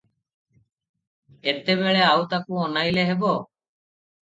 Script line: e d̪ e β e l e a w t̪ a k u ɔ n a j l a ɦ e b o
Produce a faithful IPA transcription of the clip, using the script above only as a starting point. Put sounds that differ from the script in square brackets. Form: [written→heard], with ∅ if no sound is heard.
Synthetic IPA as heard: e [d̪→t̪] e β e [l→ɭ] e a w t̪ a k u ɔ n a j l [a→e] ɦ e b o